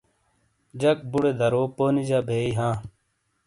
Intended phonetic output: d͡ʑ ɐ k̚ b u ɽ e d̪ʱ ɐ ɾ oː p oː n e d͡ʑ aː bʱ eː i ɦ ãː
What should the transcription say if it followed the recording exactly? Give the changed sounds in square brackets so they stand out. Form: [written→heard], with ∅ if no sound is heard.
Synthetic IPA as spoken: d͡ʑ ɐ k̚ b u ɽ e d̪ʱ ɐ ɾ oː p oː n [e→i] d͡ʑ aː bʱ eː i ɦ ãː